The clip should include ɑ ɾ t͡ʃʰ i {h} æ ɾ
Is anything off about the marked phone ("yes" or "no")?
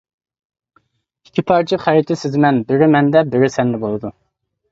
yes